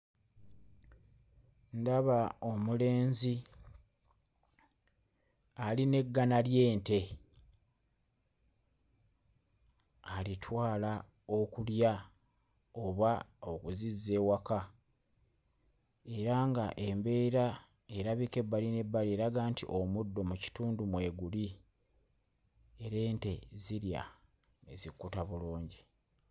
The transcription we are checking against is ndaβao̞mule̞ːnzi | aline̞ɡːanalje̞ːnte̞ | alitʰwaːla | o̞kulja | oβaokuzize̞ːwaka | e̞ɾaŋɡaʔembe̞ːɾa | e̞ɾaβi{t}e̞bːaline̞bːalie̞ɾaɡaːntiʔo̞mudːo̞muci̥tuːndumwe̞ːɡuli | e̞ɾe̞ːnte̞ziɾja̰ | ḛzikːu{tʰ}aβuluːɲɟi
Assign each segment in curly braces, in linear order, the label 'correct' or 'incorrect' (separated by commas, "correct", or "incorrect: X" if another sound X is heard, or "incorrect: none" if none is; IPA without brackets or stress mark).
incorrect: k, incorrect: t